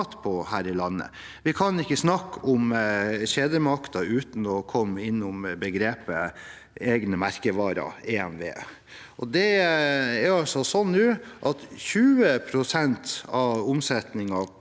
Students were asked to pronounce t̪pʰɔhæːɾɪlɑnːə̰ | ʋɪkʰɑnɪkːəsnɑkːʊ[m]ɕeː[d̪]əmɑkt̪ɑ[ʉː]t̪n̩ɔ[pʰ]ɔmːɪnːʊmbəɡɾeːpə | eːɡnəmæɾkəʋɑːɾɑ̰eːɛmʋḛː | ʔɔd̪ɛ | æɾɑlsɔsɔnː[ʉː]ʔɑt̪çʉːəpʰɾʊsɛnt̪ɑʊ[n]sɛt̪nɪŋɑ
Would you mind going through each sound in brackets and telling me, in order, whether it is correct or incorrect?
correct, correct, correct, incorrect, correct, incorrect

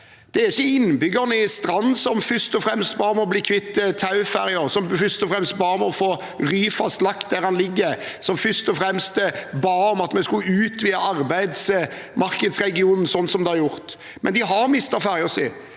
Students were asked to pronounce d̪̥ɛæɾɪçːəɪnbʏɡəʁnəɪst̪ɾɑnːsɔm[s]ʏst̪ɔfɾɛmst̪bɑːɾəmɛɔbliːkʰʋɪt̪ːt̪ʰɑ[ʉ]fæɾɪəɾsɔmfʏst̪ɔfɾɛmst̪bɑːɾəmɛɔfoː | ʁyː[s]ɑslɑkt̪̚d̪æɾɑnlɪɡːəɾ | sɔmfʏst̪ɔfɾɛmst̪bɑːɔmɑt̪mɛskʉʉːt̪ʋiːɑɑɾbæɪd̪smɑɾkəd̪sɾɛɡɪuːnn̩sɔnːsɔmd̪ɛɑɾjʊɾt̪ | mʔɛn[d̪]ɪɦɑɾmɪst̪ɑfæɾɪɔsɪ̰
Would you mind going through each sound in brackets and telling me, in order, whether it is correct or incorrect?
incorrect, correct, incorrect, correct

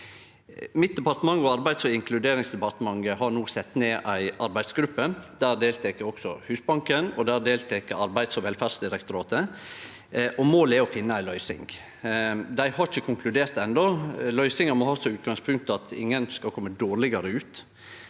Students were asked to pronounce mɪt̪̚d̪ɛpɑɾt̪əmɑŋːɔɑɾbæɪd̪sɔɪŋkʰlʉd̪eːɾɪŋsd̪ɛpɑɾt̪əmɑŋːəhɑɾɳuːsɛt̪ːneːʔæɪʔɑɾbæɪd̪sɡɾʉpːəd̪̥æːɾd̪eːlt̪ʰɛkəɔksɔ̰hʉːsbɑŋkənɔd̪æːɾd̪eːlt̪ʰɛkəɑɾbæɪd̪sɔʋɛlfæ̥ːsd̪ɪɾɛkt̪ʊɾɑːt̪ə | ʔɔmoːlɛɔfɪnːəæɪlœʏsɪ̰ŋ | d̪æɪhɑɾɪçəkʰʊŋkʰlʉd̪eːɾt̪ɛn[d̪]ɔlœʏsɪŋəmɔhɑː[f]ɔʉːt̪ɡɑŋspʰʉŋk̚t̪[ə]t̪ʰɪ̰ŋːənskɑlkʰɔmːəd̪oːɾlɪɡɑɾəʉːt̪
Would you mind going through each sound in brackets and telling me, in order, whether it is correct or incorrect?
correct, incorrect, incorrect

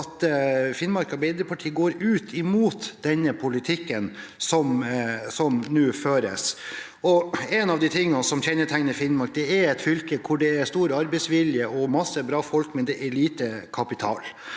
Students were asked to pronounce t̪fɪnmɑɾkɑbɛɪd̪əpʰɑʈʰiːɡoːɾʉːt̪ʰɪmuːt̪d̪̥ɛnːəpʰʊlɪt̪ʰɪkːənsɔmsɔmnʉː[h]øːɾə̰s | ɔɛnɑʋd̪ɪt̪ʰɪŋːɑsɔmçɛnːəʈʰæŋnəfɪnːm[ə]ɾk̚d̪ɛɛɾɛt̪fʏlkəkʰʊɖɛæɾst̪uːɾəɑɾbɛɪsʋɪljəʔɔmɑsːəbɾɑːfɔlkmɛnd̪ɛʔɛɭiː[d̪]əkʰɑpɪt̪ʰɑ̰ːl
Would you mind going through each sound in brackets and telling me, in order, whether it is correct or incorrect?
incorrect, incorrect, incorrect

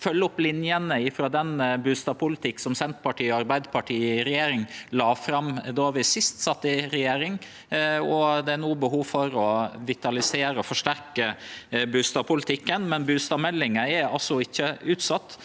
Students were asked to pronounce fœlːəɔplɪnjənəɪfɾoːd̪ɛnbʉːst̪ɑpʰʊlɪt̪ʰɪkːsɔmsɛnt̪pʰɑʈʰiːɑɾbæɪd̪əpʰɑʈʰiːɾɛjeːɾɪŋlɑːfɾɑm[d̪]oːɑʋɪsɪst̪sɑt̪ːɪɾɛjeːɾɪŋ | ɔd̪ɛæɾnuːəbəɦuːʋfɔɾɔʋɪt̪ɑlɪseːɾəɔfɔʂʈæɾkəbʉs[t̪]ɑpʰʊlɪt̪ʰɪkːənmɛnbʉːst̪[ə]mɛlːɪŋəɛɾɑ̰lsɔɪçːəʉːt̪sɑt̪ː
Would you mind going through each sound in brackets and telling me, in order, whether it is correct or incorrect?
correct, correct, incorrect

